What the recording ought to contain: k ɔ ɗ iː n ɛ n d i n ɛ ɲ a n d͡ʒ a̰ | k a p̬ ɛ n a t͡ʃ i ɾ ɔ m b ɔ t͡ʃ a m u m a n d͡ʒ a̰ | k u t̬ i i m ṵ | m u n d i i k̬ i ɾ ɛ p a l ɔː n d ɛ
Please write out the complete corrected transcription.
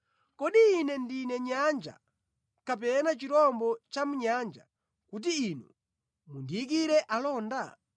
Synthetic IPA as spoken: k ɔ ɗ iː n ɛ n d i n ɛ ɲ a n d͡ʒ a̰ | k a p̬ ɛ n a t͡ʃ i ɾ ɔ m b ɔ t͡ʃ a m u ɲ a n d͡ʒ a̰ | k u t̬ i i n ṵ | m u n d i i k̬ i ɾ ɛ ʔ a l ɔː n d a